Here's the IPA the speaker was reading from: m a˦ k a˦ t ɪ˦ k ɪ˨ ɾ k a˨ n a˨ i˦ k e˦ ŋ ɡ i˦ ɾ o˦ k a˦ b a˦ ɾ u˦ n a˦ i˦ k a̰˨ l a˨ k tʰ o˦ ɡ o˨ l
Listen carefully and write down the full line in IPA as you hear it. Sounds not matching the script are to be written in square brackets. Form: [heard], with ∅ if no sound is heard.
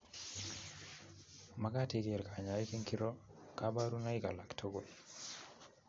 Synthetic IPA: m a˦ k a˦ t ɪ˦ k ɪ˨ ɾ k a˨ [ɲ] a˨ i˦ k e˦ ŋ [k] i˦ ɾ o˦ k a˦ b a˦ ɾ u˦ n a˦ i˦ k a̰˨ l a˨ k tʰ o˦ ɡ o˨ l